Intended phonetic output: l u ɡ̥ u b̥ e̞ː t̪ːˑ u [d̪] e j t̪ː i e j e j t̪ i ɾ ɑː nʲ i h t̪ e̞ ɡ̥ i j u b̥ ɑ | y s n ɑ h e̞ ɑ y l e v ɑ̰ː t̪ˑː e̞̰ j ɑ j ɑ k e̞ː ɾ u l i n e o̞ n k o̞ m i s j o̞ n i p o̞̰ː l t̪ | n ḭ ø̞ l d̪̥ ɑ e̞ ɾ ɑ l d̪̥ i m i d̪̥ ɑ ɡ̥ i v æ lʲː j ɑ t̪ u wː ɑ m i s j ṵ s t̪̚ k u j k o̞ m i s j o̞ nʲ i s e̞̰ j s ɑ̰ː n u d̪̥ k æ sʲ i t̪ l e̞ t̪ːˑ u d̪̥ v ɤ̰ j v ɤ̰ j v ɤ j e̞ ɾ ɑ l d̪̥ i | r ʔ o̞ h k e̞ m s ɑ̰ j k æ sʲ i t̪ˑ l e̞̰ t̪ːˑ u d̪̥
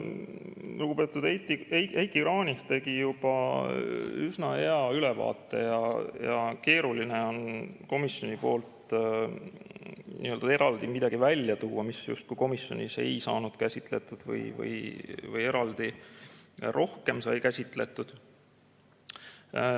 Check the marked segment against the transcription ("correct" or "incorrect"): correct